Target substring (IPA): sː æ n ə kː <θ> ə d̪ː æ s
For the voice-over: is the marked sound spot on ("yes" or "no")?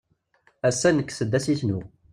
no